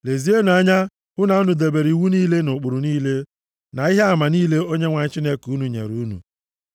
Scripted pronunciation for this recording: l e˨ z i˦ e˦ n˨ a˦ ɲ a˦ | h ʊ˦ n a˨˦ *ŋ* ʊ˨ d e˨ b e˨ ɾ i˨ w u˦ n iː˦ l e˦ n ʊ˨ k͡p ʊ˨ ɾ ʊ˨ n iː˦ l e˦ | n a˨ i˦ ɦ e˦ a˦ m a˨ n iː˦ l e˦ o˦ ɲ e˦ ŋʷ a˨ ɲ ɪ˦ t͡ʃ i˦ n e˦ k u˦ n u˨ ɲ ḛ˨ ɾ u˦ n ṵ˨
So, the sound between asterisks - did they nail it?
no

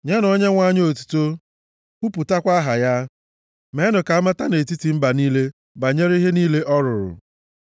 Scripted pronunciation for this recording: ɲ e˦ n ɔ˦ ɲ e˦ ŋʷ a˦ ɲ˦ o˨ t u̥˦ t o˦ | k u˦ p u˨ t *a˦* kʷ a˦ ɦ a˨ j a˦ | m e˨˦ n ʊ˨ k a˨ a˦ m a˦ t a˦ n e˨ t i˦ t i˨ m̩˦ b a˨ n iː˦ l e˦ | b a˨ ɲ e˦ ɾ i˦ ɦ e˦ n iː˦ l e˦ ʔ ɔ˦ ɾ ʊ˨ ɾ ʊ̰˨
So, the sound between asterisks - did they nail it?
yes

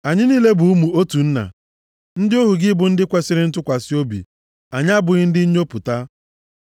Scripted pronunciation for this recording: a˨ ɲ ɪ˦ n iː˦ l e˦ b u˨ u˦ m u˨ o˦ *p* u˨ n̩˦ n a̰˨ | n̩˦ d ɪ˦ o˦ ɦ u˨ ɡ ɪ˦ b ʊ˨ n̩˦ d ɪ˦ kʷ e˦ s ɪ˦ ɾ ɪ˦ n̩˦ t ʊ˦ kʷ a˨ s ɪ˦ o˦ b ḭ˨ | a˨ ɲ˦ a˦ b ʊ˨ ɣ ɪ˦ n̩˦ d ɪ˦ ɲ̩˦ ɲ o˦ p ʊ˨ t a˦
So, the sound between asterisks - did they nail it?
no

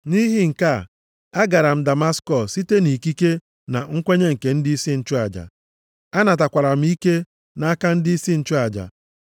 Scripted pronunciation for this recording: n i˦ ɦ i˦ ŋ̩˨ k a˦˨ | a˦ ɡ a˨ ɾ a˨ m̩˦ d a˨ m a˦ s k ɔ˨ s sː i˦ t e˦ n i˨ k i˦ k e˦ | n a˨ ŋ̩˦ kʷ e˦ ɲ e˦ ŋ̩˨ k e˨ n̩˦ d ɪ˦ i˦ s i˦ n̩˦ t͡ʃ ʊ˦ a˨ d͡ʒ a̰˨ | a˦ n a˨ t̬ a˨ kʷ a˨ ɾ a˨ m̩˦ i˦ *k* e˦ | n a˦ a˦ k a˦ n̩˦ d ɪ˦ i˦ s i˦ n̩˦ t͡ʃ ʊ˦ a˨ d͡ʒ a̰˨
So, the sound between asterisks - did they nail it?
yes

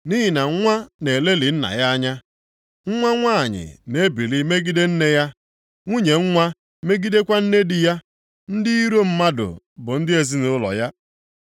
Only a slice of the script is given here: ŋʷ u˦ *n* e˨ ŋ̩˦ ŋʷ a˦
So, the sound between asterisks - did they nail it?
no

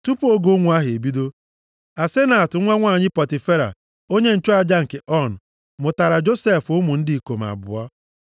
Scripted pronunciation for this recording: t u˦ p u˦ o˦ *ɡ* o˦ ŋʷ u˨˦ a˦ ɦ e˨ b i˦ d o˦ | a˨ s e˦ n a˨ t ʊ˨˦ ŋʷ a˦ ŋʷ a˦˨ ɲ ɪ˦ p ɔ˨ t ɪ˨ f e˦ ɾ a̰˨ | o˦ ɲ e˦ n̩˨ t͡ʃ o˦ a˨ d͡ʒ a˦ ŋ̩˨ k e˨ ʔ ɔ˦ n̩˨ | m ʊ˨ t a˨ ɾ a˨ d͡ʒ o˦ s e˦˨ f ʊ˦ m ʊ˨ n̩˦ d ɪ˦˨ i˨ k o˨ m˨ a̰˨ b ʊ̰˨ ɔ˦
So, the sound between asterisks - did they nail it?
yes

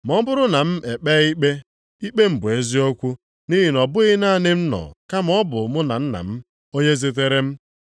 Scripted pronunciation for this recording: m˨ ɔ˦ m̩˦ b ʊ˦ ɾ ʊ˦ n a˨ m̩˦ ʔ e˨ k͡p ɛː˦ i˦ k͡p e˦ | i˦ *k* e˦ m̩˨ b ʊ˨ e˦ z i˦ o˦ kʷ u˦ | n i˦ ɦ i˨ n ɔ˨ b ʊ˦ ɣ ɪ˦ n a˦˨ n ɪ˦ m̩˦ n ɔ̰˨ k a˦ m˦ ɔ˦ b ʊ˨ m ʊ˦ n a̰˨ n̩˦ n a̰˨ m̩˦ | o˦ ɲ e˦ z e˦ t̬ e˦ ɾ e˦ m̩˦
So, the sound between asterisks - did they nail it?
no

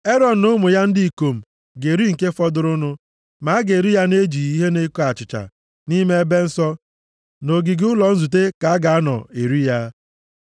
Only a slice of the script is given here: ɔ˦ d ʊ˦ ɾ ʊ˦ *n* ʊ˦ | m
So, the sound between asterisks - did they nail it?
yes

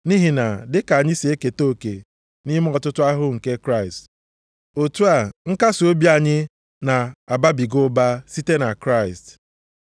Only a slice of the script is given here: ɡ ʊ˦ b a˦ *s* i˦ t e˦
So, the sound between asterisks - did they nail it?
yes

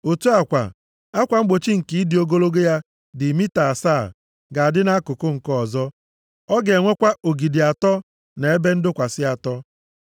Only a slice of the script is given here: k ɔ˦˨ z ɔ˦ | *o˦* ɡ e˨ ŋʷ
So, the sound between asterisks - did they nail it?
no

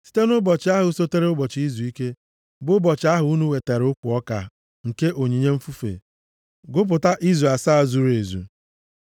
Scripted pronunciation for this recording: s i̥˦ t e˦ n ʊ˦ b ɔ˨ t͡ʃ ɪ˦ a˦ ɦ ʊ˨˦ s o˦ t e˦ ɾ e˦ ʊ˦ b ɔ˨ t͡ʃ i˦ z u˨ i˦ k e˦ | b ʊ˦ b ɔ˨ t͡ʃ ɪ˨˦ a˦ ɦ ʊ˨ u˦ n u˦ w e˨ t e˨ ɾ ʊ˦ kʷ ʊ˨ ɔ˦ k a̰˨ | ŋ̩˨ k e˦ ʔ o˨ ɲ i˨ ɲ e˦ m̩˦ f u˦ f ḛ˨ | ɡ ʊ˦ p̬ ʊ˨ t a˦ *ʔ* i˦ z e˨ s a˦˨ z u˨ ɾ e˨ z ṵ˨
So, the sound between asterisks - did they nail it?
yes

